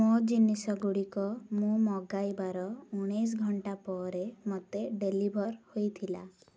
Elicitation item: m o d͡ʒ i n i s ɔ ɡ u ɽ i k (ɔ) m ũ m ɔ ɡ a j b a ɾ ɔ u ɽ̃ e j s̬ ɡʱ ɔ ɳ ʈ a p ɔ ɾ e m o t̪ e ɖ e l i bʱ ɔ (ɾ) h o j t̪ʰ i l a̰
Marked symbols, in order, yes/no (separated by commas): yes, yes